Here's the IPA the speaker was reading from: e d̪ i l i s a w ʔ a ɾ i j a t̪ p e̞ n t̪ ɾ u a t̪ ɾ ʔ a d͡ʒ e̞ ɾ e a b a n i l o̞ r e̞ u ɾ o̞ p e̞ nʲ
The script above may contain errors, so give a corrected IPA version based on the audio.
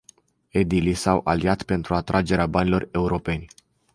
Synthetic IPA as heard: e d̪ i l i s a w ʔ a l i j a t̪ p e̞ n t̪ ɾ u a t̪ ɾ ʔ a d͡ʒ e̞ ɾ e a b a n i l o̞ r e̞ u ɾ o̞ p e̞ nʲ